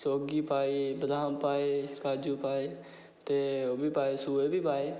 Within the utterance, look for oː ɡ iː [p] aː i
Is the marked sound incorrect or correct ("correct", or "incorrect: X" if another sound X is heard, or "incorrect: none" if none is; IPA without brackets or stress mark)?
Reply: correct